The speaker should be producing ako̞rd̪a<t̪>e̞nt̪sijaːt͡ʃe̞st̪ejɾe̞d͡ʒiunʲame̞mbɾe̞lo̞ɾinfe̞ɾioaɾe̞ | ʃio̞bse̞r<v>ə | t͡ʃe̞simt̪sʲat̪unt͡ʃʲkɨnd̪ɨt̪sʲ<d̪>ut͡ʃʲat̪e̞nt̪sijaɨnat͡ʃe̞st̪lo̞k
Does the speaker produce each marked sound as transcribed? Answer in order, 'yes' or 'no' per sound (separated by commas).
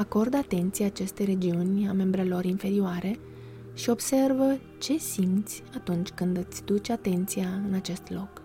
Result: yes, yes, yes